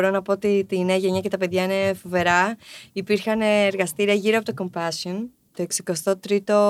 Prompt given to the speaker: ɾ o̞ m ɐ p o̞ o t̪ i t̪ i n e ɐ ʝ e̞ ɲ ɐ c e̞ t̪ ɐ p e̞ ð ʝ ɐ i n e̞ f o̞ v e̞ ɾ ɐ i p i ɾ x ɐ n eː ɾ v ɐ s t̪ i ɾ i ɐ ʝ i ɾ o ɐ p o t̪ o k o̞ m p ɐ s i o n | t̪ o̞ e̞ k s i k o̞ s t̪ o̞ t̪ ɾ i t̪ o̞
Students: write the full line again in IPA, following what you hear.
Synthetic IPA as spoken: ɾ o̞ n ɐ p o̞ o t̪ i t̪ i n e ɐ ʝ e̞ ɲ ɐ c e̞ t̪ ɐ p e̞ ð ʝ ɐ i n e̞ f o̞ v e̞ ɾ ɐ i p i ɾ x ɐ n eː ɾ ɣ ɐ s t̪ i ɾ i ɐ ʝ i ɾ o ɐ p o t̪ o k o̞ m p ɐ s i o n | t̪ o̞ e̞ k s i k o̞ s t̪ o̞ t̪ ɾ i t̪ o̞